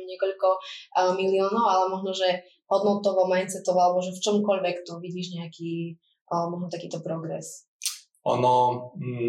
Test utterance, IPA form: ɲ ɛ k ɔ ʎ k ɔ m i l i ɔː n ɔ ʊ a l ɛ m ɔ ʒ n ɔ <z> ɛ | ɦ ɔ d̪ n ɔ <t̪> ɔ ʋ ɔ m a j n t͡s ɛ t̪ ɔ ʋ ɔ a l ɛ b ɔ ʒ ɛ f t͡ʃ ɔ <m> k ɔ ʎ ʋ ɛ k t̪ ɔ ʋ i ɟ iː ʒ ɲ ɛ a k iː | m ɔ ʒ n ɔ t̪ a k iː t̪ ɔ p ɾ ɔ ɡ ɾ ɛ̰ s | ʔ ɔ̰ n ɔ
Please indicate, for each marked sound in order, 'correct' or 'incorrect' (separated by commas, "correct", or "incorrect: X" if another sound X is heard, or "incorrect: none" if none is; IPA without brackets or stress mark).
incorrect: ʒ, correct, correct